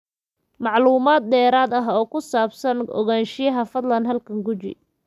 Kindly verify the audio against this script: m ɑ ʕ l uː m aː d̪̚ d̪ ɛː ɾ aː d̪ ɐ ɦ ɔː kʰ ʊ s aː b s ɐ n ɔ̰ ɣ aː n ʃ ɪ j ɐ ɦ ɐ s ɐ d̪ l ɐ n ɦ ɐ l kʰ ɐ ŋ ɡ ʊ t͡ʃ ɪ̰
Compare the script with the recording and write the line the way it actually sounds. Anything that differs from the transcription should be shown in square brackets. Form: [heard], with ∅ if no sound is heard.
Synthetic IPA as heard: m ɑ ʕ l uː m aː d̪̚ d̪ ɛː ɾ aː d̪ ɐ ɦ ɔː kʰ ʊ s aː b s ɐ n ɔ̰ ɣ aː n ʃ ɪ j ɐ ɦ ɐ [f] ɐ d̪ l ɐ n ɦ ɐ l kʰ ɐ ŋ ɡ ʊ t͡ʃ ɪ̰